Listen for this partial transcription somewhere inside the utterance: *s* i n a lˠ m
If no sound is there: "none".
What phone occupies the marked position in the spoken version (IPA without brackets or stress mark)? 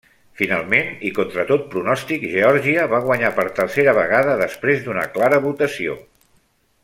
f